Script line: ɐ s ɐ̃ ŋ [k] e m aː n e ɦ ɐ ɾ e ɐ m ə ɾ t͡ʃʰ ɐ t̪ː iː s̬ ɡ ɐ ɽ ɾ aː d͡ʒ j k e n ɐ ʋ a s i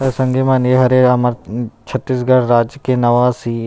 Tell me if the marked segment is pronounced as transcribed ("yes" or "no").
no